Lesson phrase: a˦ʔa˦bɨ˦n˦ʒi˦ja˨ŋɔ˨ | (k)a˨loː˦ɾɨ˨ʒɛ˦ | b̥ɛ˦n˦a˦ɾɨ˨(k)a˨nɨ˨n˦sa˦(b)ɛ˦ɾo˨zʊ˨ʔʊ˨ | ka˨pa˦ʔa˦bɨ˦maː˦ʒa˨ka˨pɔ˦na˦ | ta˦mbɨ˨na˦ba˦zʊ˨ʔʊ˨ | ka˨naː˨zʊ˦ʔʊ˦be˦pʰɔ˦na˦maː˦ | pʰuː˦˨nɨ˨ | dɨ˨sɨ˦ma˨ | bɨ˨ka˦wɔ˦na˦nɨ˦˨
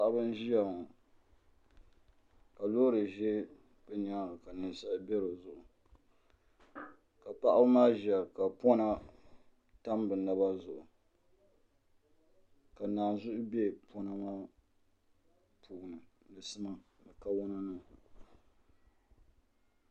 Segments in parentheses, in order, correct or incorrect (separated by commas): correct, correct, correct